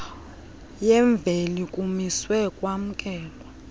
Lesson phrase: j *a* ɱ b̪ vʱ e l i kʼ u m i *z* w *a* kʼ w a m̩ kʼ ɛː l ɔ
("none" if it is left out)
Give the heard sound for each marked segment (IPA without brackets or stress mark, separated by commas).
ɛ, s, ɛ